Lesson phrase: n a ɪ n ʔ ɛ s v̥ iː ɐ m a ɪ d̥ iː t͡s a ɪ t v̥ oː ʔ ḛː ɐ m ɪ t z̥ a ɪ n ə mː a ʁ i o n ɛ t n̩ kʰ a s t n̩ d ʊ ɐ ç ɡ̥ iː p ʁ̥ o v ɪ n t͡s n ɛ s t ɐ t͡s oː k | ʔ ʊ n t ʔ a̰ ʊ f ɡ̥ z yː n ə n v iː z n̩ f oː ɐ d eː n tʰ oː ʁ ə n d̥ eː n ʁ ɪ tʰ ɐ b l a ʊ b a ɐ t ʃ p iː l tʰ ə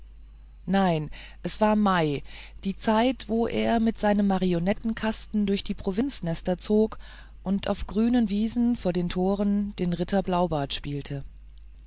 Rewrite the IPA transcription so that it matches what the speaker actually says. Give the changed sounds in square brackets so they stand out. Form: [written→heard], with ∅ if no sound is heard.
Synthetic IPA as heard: n a ɪ n ʔ ɛ s v̥ [iː→aː] ɐ m a ɪ d̥ iː t͡s a ɪ t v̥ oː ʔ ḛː ɐ m ɪ t z̥ a ɪ n ə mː a ʁ i o n ɛ t n̩ kʰ a s t n̩ d ʊ ɐ ç [ɡ̥→d̥] iː p ʁ̥ o v ɪ n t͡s n ɛ s t ɐ t͡s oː k | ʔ ʊ n t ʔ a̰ ʊ f ɡ̥ [z→ʁ] yː n ə n v iː z n̩ f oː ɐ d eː n tʰ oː ʁ ə n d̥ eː n ʁ ɪ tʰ ɐ b l a ʊ b a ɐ t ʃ p iː l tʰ ə